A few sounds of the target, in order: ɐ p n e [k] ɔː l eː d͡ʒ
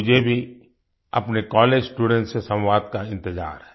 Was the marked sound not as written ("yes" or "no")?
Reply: no